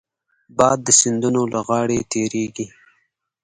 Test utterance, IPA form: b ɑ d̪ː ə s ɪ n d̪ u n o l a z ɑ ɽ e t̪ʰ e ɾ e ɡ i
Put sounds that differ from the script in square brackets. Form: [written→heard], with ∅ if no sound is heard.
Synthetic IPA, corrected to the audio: b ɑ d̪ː ə s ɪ n d̪ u n o l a [z→ɣ] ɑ ɽ e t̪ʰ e ɾ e ɡ i